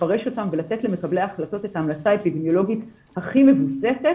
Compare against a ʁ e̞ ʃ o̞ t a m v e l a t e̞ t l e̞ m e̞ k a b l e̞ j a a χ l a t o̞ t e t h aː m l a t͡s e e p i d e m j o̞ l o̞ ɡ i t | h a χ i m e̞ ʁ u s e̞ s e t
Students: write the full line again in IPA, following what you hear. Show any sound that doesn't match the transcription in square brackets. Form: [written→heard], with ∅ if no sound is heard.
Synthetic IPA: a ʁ e̞ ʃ o̞ t a m v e l a t e̞ t l e̞ m e̞ k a b l e̞ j a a χ l a t o̞ t e t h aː m l a t͡s [e→a] e p i d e m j o̞ l o̞ ɡ i t | h a χ i m e̞ [ʁ→v] u s e̞ s e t